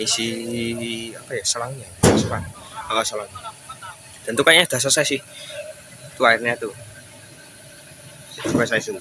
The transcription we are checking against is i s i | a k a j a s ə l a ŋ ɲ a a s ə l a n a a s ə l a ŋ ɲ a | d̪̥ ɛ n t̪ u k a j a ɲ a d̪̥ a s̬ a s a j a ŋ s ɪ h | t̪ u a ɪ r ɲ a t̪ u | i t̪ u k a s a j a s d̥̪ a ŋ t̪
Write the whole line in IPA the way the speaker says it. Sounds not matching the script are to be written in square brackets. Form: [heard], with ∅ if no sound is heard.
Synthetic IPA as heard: i s i | a [p] a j a s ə l a ŋ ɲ a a s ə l a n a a s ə l a ŋ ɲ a | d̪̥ [a] n t̪ u k a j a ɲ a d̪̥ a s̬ a s a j a [∅] s ɪ h | t̪ u a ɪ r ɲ a t̪ u | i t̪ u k a s a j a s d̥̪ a [n] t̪

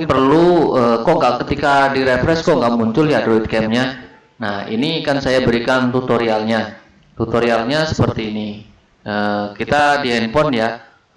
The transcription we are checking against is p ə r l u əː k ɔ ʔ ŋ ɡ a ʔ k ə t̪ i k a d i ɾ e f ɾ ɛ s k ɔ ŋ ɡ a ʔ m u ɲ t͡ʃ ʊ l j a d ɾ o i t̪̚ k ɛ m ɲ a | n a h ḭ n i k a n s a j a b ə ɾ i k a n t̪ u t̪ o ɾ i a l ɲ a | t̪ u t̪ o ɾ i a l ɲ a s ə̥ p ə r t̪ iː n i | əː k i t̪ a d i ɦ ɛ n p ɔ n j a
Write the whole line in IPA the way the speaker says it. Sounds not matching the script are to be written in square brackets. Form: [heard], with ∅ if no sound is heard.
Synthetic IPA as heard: p ə r l u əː k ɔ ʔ ŋ ɡ a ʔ k ə t̪ i k a d i ɾ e f ɾ ɛ s k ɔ ŋ ɡ a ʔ m u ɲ t͡ʃ ʊ l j a d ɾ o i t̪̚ k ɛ m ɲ a | n a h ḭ n i k a n s a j a b ə ɾ i k a n t̪ u t̪ o ɾ i a l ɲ a | t̪ u t̪ o ɾ i a l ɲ a s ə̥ p ə r t̪ iː n i | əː k i t̪ a d i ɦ ɛ n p ɔ n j a

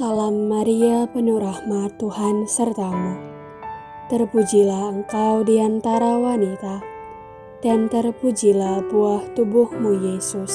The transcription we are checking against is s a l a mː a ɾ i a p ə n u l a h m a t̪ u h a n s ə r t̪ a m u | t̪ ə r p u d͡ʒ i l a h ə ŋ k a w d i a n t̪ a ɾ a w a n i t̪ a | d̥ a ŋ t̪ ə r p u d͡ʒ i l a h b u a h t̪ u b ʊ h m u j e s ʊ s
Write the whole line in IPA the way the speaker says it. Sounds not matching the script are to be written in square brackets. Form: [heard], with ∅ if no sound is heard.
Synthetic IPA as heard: s a l a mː a ɾ i a p ə n u [ɾ] a h m a t̪ u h a n s ə r t̪ a m u | t̪ ə r p u d͡ʒ i l a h ə ŋ k a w d i a n t̪ a ɾ a w a n i t̪ a | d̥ a [n] t̪ ə r p u d͡ʒ i l a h b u a h t̪ u b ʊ h m u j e s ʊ s

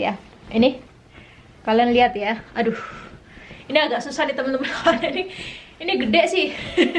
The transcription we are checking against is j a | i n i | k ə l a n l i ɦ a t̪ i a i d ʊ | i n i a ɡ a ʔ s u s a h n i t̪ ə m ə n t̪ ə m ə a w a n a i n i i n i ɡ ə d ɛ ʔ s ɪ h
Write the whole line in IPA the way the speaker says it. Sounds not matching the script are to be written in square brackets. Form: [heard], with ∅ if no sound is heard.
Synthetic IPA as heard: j a | i n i | k [a] l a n l i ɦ a t̪ [j] a [a] d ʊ | i n i a ɡ a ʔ s u s a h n i t̪ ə m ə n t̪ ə m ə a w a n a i n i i n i ɡ ə d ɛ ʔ s ɪ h

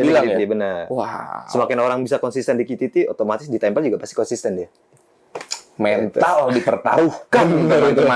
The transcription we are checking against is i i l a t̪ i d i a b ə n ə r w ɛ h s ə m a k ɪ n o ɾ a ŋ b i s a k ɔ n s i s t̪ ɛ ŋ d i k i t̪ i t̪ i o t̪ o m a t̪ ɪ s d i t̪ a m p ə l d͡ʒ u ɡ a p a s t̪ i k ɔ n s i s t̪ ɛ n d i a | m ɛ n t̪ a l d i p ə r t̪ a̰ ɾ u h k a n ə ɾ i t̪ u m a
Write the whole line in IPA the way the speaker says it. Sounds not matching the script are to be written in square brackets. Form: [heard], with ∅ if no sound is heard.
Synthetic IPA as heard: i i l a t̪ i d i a b ə n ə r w [a] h s ə m a k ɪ n o ɾ a ŋ b i s a k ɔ n s i s t̪ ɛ [n] d i k i t̪ i t̪ i o t̪ o m a t̪ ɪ s d i t̪ a m p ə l d͡ʒ u ɡ a p a s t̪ i k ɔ n s i s t̪ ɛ n d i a | m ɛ n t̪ a l d i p ə r t̪ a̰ ɾ u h k a n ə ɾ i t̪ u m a

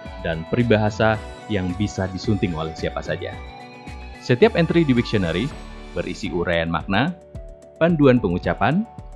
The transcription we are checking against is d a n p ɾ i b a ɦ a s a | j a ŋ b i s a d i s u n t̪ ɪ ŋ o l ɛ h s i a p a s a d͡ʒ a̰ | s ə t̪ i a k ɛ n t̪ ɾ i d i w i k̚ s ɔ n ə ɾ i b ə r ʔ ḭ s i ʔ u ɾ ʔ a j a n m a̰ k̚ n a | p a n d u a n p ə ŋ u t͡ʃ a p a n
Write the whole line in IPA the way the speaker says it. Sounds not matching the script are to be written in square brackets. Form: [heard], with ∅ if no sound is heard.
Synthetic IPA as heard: d a n p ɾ i b a ɦ a s a | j a ŋ b i s a d i s u n t̪ ɪ ŋ o l ɛ h s i a p a s a d͡ʒ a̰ | s ə t̪ i a [p] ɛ n t̪ ɾ i d i w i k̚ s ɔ n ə ɾ i b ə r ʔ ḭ s i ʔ u ɾ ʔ a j a n m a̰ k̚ n a | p a n d u a n p ə ŋ u t͡ʃ a p a n

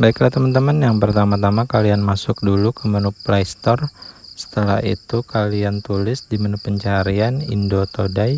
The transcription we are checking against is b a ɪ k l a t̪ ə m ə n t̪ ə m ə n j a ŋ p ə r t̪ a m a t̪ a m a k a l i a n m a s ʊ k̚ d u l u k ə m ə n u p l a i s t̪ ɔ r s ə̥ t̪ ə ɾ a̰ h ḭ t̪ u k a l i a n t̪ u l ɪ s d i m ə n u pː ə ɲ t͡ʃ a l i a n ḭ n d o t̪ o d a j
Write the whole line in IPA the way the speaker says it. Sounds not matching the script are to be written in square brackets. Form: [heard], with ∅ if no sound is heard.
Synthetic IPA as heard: b a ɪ k l a t̪ ə m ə n t̪ ə m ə n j a ŋ p ə r t̪ a m a t̪ a m a k a l i a n m a s ʊ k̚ d u l u k ə m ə n u p l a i s t̪ ɔ r s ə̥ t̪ ə [l] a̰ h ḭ t̪ u k a l i a n t̪ u l ɪ s d i m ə n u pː ə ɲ t͡ʃ a [ɾ] i a n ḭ n d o t̪ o d a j

